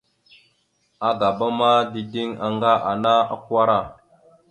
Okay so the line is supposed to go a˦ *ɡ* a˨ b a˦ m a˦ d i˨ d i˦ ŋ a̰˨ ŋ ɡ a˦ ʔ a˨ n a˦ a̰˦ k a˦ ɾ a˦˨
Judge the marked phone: correct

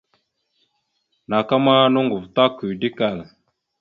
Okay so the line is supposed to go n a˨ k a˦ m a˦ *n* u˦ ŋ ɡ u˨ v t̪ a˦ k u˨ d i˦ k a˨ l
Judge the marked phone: correct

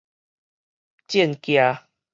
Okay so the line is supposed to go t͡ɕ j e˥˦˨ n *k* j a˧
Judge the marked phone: correct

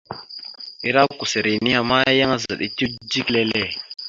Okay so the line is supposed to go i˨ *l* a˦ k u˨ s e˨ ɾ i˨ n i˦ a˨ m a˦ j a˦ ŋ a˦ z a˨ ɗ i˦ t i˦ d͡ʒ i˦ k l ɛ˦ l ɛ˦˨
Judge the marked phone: incorrect: ɾ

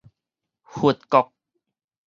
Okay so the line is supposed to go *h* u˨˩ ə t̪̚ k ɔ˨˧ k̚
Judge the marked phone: correct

